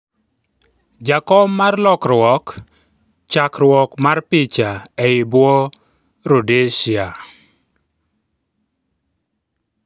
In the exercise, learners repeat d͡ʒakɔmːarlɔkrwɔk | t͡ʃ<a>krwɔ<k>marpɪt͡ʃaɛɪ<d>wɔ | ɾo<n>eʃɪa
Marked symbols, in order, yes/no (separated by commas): yes, yes, no, no